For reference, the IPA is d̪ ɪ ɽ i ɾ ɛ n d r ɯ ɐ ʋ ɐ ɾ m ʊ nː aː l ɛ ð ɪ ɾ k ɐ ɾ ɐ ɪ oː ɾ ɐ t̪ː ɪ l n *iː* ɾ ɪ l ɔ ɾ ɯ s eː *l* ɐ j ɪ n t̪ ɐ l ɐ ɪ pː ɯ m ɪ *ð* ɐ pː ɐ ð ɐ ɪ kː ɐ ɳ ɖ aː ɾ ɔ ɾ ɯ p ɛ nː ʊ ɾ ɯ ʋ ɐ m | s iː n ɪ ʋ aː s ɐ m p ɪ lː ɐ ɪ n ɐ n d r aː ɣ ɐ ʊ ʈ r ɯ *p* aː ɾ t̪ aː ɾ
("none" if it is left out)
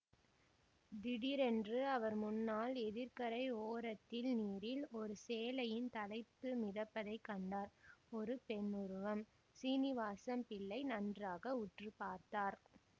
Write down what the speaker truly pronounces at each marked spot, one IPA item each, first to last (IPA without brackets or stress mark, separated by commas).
iː, l, ð, p